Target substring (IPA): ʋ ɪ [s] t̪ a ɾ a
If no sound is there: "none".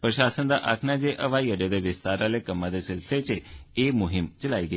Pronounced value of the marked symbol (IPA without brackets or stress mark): s